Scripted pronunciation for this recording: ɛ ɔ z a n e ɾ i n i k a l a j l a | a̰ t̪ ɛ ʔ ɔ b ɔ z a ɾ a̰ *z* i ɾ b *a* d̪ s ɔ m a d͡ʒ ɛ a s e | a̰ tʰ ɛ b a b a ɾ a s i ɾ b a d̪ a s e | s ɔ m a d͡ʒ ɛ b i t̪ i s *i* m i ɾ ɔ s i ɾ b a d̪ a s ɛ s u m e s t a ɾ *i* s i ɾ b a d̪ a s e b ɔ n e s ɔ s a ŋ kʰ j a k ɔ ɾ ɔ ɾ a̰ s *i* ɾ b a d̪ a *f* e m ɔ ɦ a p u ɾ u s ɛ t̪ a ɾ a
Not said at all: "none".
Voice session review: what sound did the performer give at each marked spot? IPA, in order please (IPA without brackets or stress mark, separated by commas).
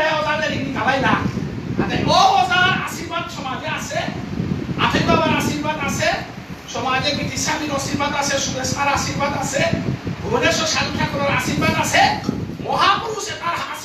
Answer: s, a, a, a, i, s